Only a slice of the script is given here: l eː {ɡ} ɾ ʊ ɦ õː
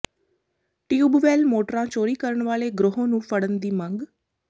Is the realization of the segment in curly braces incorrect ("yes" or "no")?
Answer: no